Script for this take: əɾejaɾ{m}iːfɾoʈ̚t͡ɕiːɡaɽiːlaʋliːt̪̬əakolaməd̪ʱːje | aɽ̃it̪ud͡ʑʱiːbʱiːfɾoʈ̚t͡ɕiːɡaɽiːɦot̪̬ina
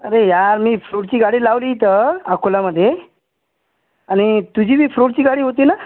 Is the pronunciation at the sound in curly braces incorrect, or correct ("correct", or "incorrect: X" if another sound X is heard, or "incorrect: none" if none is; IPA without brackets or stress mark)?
correct